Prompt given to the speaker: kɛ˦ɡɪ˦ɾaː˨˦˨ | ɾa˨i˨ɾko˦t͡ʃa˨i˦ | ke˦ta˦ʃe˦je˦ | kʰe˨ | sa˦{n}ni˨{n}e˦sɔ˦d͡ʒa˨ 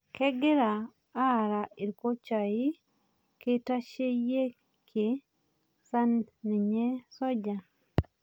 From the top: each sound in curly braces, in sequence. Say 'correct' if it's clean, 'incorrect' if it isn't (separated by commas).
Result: correct, incorrect